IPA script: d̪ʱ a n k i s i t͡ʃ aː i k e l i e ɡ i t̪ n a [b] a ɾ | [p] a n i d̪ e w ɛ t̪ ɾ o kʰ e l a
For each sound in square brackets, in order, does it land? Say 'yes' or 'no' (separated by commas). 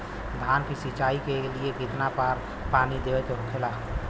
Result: no, yes